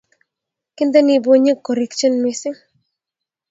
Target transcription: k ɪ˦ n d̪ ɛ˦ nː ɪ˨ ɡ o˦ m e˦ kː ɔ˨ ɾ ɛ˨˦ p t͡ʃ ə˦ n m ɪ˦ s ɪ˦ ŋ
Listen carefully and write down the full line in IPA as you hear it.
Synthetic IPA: k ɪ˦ n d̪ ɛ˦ n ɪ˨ b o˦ ɲ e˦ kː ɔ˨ ɾ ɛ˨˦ k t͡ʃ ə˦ n m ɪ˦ s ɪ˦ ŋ